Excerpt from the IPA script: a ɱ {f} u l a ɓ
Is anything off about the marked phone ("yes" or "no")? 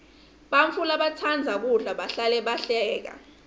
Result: no